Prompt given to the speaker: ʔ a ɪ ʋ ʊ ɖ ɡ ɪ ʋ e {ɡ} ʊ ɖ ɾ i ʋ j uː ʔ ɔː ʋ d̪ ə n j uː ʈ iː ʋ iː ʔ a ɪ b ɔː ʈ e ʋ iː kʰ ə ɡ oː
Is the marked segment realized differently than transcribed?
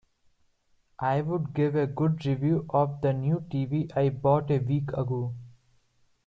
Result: no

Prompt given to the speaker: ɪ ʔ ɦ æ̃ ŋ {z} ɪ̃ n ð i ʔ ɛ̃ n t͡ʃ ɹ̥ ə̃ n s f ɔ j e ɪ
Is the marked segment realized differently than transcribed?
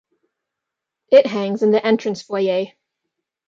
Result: no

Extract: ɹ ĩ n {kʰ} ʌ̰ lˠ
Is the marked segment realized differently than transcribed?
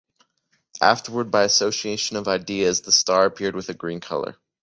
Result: no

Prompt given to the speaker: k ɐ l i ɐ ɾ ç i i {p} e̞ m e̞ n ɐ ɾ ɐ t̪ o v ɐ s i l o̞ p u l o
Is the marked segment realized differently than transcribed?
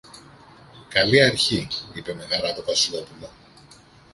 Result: no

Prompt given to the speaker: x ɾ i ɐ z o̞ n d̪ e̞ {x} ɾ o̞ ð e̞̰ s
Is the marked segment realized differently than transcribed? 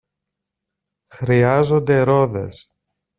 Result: yes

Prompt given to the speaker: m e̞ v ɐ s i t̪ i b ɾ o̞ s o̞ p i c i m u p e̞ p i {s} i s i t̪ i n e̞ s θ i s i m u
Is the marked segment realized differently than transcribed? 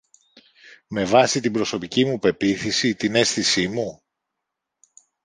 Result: yes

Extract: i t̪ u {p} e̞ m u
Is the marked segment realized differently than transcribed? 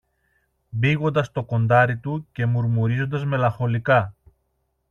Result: yes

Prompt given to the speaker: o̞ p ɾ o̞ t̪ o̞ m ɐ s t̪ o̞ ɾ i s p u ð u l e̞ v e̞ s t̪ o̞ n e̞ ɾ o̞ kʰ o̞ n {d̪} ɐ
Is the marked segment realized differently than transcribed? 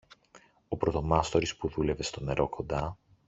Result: no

